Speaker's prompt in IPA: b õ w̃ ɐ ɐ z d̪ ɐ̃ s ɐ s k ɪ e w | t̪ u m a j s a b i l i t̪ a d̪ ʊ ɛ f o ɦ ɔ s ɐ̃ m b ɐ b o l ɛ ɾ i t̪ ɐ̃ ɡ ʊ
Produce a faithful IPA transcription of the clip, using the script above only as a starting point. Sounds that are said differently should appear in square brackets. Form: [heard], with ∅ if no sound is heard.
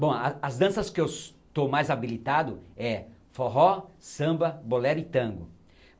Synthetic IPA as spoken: b õ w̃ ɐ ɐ z d̪ ɐ̃ s ɐ s k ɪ e w | t̪ [o] m a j [z] a b i l i t̪ a d̪ ʊ ɛ f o ɦ ɔ s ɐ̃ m b ɐ b o l ɛ ɾ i t̪ ɐ̃ ɡ ʊ